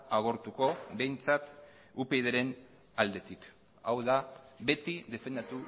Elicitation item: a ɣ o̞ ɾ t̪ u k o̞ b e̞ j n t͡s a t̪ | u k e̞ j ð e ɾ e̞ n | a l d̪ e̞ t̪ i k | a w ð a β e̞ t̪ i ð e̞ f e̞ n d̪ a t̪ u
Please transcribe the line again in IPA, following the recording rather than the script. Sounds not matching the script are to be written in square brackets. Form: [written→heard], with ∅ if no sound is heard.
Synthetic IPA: a ɣ o̞ ɾ t̪ u k o̞ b e̞ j n t͡s a t̪ | u [k→p] e̞ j ð e ɾ e̞ n | a l d̪ e̞ t̪ i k | a w ð a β e̞ t̪ i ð e̞ f e̞ n d̪ a t̪ u